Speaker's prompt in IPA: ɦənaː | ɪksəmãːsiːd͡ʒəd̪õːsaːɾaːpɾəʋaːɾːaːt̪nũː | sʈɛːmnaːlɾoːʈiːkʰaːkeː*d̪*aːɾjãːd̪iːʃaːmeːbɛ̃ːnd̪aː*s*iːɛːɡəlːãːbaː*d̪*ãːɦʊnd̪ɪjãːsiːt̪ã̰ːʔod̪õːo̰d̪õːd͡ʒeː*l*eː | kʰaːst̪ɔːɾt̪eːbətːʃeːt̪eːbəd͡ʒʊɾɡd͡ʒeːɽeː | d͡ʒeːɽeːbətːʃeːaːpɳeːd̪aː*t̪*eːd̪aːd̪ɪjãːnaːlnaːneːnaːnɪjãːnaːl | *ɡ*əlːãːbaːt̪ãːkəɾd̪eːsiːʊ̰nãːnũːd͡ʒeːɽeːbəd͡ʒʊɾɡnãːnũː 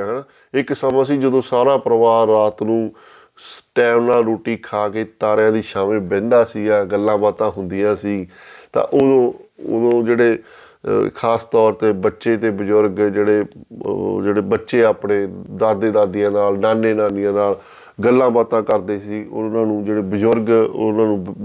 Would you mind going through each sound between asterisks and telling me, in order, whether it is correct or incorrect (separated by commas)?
incorrect, correct, incorrect, incorrect, incorrect, correct